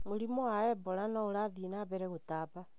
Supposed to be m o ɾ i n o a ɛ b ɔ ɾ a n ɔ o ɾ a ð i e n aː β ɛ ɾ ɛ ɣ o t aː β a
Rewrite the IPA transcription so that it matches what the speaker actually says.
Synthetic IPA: m o ɾ i m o a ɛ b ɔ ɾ a n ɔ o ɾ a ð i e n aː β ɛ ɾ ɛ ɣ o t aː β a

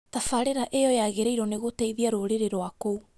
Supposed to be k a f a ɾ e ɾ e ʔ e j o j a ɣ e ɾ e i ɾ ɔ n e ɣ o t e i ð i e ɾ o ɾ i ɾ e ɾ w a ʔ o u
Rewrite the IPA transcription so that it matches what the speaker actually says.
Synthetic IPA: t a f a ɾ e ɾ a ʔ e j ɔ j a ɣ e ɾ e i ɾ ɔ n e ɣ o t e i ð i a ɾ o ɾ e ɾ e ɾ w a k o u

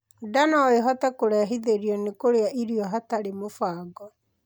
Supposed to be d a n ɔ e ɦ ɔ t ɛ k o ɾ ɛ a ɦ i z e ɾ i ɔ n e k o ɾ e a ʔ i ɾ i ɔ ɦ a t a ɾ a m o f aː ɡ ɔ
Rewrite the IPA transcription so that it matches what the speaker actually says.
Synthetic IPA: d a n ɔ e ɦ ɔ t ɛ k o ɾ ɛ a ɦ i ð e ɾ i ɔ n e k o ɾ e a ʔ i ɾ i ɔ ɦ a t a ɾ e m o f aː ɡ ɔ

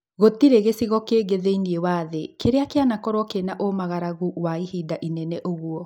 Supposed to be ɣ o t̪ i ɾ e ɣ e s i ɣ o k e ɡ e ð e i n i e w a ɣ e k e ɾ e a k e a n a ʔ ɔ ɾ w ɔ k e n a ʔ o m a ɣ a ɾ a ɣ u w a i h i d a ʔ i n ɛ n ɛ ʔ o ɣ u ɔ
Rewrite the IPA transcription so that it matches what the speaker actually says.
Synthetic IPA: ɣ o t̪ i ɾ e ɣ e s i ɣ ɔ k e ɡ e ð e i n i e w a ð e k e ɾ e a k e a n a k ɔ ɾ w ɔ k e n a ʔ o m a ɣ a ɾ a ɣ u w a i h i d a ʔ i n ɛ n ɛ ʔ o ɣ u ɔ

